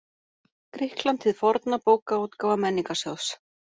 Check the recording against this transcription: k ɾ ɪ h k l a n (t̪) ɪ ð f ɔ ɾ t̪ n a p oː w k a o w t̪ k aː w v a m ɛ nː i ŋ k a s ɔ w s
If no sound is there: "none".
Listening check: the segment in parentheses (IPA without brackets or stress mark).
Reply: t̪ʰ